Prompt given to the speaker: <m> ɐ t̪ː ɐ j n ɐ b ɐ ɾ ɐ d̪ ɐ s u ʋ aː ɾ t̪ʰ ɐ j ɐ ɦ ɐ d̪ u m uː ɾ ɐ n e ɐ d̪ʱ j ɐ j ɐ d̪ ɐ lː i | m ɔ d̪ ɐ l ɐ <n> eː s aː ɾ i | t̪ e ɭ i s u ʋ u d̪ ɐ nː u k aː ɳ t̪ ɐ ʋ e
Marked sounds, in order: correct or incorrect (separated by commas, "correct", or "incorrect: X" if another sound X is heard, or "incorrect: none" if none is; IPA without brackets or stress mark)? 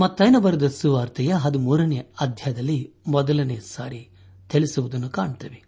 correct, correct